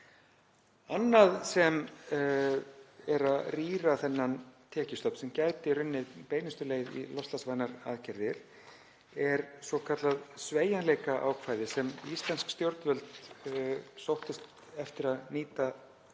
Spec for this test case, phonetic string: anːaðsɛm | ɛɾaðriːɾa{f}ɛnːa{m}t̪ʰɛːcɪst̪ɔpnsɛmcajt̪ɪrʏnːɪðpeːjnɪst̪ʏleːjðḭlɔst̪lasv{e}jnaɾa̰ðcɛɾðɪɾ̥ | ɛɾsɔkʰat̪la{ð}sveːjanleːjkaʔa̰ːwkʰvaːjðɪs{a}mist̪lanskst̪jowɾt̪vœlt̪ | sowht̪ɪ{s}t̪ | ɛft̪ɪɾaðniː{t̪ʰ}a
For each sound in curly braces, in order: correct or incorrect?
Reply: incorrect: θ, incorrect: n, incorrect: a, correct, incorrect: ɛ, correct, incorrect: t̪

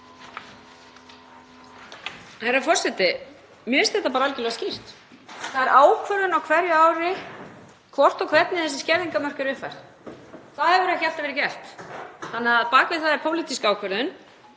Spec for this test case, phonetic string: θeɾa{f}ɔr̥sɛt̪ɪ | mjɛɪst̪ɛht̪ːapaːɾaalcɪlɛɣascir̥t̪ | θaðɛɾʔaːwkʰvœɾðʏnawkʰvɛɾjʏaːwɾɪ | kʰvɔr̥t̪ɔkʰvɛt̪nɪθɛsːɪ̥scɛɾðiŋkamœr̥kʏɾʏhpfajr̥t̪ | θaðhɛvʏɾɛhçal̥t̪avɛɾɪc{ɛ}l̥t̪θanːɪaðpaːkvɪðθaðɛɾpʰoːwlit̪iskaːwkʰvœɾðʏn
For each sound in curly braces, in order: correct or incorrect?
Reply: correct, correct

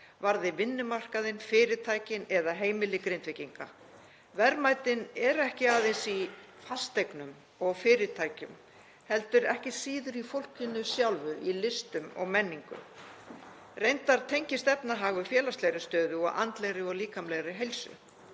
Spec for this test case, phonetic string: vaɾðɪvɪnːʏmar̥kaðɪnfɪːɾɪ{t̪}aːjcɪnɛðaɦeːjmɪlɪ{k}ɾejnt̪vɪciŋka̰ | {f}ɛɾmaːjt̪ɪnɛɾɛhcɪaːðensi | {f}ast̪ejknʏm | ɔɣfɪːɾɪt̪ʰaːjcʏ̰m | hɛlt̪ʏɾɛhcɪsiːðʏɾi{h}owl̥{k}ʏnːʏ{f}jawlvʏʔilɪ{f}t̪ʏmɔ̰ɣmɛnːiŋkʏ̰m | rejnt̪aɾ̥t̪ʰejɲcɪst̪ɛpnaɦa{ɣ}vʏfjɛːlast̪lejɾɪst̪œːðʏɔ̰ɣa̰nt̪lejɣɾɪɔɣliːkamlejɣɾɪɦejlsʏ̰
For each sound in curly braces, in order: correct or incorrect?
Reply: incorrect: t̪ʰ, correct, incorrect: v, correct, incorrect: f, incorrect: c, incorrect: s, incorrect: s, correct

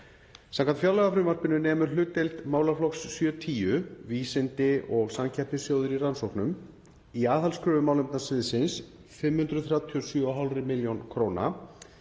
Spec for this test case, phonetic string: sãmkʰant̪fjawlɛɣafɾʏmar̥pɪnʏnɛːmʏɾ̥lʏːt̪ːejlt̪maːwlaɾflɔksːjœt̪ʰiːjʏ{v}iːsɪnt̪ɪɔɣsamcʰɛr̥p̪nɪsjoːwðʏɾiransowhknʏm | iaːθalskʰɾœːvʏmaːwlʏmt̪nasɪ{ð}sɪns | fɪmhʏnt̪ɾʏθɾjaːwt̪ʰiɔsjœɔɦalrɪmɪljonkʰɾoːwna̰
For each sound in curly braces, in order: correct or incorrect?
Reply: correct, correct

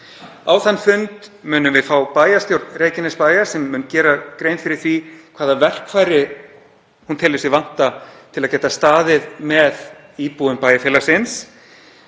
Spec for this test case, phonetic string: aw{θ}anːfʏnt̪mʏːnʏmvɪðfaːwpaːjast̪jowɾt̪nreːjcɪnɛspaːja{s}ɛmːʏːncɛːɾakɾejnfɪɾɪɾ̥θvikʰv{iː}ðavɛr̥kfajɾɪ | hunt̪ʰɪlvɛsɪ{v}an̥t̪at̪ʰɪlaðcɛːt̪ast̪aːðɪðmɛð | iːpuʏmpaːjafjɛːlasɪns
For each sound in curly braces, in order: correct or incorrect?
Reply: correct, correct, incorrect: aː, correct

